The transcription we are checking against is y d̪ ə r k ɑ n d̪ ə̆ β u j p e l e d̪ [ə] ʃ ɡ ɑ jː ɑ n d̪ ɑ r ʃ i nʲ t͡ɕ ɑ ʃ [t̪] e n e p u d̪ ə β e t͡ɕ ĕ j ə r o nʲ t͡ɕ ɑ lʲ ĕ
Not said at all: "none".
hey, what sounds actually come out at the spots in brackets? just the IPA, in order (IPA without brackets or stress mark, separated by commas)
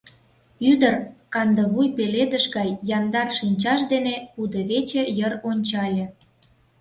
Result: ə, d̪